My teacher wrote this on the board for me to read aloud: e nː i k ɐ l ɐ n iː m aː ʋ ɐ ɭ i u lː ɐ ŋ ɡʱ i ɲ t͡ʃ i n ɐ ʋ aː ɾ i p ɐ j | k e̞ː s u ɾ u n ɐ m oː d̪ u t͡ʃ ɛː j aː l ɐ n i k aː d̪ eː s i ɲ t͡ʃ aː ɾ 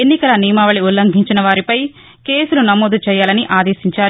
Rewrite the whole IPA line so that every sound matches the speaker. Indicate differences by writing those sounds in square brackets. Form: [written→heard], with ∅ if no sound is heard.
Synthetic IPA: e nː i k ɐ l ɐ n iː m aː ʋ ɐ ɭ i u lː ɐ ŋ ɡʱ i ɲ t͡ʃ i n ɐ ʋ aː ɾ i p ɐ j | k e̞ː s u [ɾ→l] u n ɐ m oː d̪ u t͡ʃ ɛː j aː l ɐ n i [k→ʔ] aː d̪ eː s i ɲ t͡ʃ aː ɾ